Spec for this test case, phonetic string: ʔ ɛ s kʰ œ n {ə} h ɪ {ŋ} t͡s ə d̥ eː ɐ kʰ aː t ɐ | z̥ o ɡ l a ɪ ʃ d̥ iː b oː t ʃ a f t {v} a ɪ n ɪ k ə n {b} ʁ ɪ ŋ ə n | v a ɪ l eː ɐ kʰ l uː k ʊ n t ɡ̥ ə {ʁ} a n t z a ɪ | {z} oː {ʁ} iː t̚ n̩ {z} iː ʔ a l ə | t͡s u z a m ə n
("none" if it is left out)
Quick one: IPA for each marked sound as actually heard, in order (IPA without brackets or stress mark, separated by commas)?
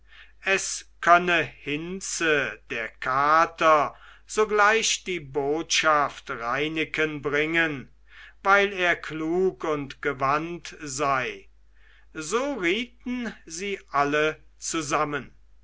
ə, n, ʁ, b, v, z, ʁ, z